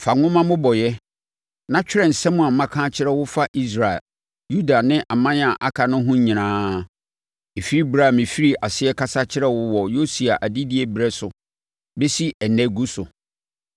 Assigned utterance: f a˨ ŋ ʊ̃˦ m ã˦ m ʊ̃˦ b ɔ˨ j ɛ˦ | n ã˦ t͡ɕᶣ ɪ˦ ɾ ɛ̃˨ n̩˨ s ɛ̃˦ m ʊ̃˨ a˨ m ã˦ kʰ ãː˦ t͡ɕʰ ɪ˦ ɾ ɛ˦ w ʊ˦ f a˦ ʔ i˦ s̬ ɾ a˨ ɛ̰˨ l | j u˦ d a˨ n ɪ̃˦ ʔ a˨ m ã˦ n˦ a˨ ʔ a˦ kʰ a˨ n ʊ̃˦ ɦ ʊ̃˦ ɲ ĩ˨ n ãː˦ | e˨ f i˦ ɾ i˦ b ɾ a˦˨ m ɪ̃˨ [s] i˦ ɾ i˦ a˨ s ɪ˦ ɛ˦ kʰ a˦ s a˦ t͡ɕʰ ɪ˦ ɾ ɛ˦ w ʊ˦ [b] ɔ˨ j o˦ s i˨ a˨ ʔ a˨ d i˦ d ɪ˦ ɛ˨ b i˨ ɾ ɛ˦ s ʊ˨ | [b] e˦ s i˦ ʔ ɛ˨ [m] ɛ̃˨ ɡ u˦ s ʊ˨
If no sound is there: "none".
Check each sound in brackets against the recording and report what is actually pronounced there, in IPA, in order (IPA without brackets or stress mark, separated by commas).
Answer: f, w, b, n